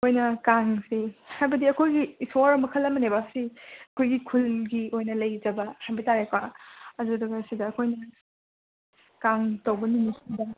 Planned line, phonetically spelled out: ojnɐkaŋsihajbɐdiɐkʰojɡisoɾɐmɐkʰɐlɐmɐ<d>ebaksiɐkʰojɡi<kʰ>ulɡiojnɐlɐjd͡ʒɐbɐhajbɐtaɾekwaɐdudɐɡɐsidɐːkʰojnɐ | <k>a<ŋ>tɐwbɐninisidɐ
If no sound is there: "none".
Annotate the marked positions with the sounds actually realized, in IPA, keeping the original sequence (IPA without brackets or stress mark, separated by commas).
n, kʰ, k, ŋ